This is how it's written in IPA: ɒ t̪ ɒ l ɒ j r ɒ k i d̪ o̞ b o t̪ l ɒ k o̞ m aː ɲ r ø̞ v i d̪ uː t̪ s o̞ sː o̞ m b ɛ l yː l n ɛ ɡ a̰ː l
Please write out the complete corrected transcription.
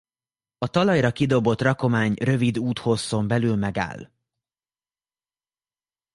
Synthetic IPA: ɒ t̪ ɒ l ɒ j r ɒ k i d̪ o̞ b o t̪ r ɒ k o̞ m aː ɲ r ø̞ v i d̪ uː t̪ h o̞ sː o̞ m b ɛ l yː l m ɛ ɡ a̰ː l